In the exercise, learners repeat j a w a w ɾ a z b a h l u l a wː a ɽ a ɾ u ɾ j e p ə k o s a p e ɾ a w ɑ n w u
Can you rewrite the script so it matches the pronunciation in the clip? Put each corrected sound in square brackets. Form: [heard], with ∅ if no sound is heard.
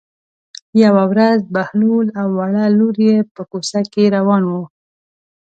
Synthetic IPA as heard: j a w a w ɾ a z b a h l u l a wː a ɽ a [l] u ɾ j e p ə k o s a [k] e ɾ a w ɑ n w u

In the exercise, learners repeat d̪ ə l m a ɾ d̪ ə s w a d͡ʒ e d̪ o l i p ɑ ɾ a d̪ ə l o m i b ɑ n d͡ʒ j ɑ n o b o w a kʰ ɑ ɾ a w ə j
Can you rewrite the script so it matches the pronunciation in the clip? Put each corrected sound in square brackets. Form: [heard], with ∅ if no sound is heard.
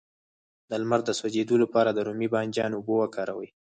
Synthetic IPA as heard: d̪ ə l m a ɾ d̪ ə s w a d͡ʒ e d̪ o l [a] p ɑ ɾ a d̪ ə [ɾ] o m i b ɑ n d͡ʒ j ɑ n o b o w a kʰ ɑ ɾ a w ə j

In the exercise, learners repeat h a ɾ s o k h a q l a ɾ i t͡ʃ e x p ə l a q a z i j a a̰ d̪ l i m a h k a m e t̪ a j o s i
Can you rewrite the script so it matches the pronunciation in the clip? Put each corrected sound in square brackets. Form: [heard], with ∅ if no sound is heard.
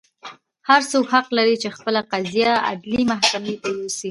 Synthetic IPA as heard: h a ɾ s o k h a q l a ɾ i t͡ʃ e x p ə l a q a z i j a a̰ d̪ l i m a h k a m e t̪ a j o s i

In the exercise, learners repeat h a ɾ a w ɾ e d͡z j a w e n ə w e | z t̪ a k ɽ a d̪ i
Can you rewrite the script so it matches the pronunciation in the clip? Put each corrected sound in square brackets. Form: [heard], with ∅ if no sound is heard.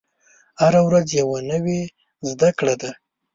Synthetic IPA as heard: h a ɾ a w ɾ [a] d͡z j a w [a] n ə w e | z [d̪] a k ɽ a d̪ [a]

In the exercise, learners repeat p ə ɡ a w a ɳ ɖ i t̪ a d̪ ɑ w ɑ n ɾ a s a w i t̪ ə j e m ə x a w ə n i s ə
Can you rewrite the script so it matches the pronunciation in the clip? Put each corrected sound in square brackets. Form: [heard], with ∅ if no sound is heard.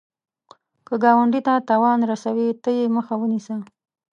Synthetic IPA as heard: [k] ə ɡ [ɑ] w a ɳ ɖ i t̪ a [t̪] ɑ w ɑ n ɾ a s a w i t̪ ə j e m ə x a w ə n i s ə

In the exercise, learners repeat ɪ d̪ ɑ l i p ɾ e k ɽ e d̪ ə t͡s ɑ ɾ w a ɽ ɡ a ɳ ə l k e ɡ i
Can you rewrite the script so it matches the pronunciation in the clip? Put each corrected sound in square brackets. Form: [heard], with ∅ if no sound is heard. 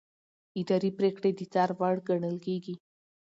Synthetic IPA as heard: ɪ d̪ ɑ [ɾ] i p ɾ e k ɽ e d̪ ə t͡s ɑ ɾ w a ɽ ɡ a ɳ ə l k e ɡ i

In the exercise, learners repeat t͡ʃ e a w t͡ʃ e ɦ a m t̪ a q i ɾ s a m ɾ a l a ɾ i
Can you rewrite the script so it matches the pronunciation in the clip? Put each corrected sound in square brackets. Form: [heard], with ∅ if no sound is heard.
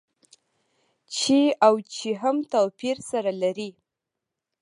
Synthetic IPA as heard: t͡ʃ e a w t͡ʃ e ɦ a m t̪ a [p] i ɾ s a [∅] ɾ a l a ɾ i

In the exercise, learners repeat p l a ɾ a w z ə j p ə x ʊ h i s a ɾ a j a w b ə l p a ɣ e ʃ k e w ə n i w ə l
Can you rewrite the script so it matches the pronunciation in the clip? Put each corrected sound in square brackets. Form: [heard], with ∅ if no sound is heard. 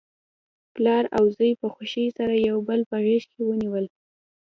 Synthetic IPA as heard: p l [ɑ] ɾ a w z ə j p ə x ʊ [ʃ] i s a ɾ a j a w b ə l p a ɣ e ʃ k e w ə n i w ə l

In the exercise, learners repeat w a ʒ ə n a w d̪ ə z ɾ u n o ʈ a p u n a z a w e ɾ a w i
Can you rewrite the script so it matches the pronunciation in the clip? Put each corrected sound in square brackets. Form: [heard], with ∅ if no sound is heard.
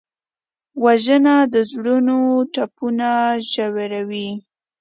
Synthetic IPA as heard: w a ʒ ə n a [∅] d̪ ə z [ɽ] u n o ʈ a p u n a [ʒ] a w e ɾ a w i

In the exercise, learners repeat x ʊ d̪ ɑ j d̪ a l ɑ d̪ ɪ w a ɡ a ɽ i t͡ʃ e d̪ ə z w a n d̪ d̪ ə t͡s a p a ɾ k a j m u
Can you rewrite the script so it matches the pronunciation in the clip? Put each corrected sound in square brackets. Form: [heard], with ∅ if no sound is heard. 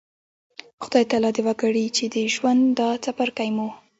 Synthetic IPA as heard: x ʊ d̪ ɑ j [t̪] a l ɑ d̪ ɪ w a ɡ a ɽ i t͡ʃ e d̪ ə [ʒ] w a n d̪ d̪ [ɑ] t͡s a p a ɾ k a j m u

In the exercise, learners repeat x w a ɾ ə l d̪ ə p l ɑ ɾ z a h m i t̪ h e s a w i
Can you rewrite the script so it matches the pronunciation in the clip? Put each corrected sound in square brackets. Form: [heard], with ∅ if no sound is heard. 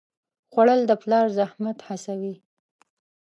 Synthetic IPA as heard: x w a [ɽ] ə l d̪ ə p l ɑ ɾ z a h m [a] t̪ h [a] s a w i

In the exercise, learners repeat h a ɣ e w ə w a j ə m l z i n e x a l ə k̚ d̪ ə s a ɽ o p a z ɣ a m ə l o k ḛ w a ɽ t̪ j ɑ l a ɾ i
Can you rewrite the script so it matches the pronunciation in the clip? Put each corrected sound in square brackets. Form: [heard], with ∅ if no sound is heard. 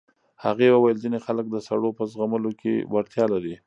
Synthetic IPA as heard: h a ɣ e w ə w a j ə [∅] l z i n e x a l ə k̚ d̪ ə s a ɽ o p [ə] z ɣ a m ə l o k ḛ w a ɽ t̪ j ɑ l a ɾ i

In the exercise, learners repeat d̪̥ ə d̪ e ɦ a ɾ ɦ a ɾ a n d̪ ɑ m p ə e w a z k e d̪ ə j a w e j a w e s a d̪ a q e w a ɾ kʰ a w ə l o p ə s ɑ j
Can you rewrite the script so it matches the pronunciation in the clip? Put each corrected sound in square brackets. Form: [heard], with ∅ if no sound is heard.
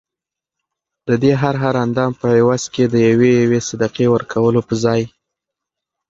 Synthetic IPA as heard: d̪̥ ə d̪ e ɦ a ɾ ɦ a ɾ a n d̪ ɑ m p ə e w a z k e d̪ ə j a w e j a w e s a d̪ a q e w [ə] ɾ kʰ a w ə l o p ə [z] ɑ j

